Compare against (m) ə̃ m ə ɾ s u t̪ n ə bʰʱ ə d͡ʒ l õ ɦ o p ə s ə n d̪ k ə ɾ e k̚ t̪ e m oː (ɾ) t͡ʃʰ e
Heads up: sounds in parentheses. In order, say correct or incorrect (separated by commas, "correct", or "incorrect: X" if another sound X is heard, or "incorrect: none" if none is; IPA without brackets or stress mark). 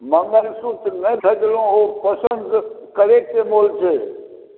correct, incorrect: l